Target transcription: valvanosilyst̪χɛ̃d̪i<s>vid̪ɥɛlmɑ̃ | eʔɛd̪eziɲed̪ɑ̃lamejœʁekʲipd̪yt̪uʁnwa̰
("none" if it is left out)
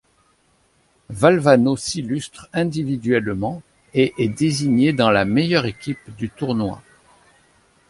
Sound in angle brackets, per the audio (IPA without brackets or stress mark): none